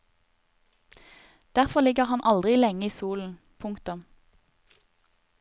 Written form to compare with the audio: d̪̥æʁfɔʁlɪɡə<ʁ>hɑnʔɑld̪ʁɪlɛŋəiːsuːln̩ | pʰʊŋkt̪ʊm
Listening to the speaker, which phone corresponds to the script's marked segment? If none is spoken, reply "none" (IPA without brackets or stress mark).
ʁ